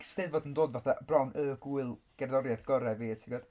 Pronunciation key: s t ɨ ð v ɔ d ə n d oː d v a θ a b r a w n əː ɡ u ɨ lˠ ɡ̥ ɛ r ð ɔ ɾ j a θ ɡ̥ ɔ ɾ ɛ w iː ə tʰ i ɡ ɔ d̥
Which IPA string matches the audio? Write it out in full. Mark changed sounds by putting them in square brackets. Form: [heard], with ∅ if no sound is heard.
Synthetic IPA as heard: s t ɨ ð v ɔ d ə n d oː d v a θ a b r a w n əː ɡ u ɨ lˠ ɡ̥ ɛ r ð ɔ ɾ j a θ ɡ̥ ɔ ɾ ɛ [v] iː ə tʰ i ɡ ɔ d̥